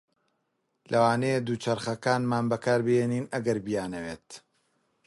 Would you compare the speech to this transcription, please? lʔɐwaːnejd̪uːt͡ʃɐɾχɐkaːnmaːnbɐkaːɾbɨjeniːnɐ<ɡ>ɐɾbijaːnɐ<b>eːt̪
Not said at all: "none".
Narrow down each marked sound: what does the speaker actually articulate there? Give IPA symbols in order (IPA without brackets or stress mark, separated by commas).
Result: ɡ, w